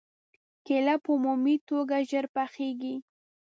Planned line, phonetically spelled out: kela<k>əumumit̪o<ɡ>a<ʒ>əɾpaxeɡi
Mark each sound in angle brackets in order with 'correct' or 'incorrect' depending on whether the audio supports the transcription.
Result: incorrect: p, correct, correct

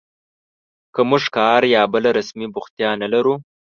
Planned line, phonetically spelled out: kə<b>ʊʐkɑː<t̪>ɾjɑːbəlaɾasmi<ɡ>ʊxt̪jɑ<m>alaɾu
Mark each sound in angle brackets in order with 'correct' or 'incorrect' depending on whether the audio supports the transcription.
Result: incorrect: m, incorrect: none, incorrect: b, incorrect: n

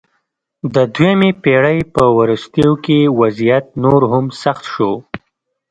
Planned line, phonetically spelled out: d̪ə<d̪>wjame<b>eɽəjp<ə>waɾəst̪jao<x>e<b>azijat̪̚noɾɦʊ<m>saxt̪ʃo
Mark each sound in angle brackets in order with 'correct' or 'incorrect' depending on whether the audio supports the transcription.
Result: correct, incorrect: p, correct, incorrect: k, incorrect: w, correct

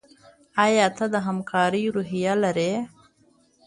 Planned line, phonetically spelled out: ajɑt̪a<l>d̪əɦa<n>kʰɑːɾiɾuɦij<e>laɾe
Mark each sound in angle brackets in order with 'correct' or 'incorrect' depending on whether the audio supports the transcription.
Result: incorrect: none, incorrect: m, incorrect: a

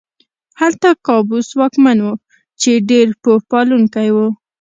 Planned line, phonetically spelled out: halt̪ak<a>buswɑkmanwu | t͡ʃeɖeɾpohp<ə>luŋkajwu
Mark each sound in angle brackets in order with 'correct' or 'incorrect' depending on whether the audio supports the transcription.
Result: incorrect: ɑ, incorrect: ɑ

